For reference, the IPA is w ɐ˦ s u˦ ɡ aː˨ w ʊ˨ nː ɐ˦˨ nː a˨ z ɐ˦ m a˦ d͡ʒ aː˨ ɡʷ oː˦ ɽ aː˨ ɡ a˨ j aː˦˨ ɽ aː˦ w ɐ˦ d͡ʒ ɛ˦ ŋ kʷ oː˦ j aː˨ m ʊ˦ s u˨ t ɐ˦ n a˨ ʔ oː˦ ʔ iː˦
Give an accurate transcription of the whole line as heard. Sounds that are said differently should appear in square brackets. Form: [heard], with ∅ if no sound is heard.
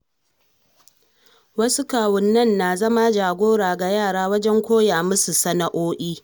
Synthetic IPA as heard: w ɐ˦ s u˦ [k] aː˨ w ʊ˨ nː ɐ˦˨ nː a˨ z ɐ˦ m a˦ d͡ʒ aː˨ ɡʷ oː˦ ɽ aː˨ ɡ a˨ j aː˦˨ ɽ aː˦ w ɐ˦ d͡ʒ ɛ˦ ŋ kʷ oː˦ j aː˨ m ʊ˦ s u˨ [s] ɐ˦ n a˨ ʔ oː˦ ʔ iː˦